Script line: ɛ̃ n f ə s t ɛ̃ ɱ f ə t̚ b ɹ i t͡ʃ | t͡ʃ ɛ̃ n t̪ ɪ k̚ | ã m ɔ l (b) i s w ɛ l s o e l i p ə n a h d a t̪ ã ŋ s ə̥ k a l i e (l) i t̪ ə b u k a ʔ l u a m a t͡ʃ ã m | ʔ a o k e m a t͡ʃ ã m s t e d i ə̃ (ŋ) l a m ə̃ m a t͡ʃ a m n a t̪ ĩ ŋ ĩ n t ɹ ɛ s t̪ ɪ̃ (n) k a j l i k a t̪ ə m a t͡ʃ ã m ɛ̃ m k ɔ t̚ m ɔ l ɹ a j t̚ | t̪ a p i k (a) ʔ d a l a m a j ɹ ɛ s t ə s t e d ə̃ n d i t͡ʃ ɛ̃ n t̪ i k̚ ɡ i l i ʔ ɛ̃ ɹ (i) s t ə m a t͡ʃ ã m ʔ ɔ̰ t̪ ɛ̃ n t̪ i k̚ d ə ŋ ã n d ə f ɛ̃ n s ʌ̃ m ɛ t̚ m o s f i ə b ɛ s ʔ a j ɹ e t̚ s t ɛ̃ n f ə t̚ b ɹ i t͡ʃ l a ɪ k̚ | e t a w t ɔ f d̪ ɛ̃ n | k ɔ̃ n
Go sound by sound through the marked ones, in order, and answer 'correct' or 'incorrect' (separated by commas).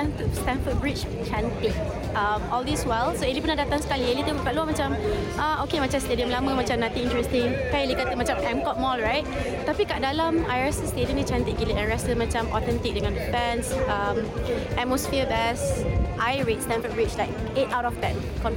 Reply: incorrect, correct, incorrect, incorrect, correct, incorrect